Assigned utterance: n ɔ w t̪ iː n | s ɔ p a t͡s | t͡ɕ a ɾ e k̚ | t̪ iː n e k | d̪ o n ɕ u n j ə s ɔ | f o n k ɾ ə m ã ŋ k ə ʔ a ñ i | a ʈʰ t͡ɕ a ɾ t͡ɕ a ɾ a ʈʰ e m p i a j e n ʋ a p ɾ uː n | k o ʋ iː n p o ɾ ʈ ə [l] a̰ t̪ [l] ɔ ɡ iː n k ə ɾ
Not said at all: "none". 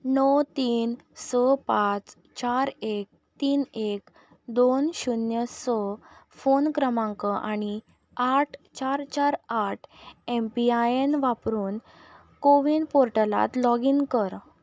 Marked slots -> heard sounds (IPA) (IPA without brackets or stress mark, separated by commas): l, l